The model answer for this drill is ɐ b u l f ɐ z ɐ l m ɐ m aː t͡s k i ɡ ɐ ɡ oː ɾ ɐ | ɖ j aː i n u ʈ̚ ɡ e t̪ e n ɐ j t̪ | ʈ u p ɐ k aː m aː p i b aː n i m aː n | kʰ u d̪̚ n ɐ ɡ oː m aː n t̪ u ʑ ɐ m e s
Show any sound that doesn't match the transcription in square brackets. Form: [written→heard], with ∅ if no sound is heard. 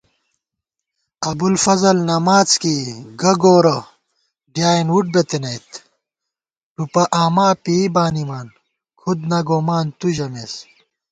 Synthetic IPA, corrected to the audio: ɐ b u l f ɐ z ɐ l [m→n] ɐ m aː t͡s k i ɡ ɐ ɡ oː ɾ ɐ | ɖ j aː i n u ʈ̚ [ɡ→b] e t̪ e n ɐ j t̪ | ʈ u p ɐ [k→ʔ] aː m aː p i b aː n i m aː n | kʰ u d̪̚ n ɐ ɡ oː m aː n t̪ u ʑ ɐ m e s